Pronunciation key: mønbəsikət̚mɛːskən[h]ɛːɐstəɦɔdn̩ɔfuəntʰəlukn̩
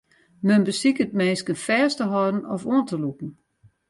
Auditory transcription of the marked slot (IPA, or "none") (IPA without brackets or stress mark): f